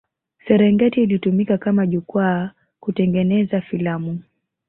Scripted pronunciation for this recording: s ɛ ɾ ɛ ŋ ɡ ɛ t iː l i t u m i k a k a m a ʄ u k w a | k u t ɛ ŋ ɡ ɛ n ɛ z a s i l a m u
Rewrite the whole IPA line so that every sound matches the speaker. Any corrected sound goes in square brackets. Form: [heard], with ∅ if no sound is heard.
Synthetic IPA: s ɛ ɾ ɛ ŋ ɡ ɛ t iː l i t u m i k a k a m a ʄ u k w a | k u t ɛ ŋ ɡ ɛ n ɛ z a [f] i l a m u